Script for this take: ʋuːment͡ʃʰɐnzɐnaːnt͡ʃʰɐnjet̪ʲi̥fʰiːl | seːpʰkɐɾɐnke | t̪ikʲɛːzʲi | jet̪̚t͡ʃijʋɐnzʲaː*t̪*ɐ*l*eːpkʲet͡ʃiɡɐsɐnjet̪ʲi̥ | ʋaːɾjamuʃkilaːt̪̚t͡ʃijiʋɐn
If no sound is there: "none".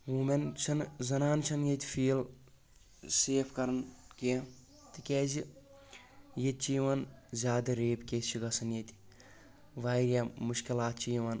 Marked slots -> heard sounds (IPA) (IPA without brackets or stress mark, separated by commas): d̪, ɾ